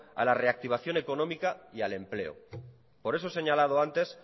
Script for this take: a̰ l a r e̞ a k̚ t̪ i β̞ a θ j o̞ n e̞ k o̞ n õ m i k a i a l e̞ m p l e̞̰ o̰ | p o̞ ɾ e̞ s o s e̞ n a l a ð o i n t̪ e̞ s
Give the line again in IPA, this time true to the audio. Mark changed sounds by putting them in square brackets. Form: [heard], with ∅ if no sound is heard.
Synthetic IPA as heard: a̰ l a r e̞ a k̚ t̪ i β̞ a θ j o̞ n e̞ k o̞ n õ m i k a i a l e̞ m p l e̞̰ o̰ | p o̞ ɾ e̞ s o s e̞ [ɲ] a l a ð o [a] n t̪ e̞ s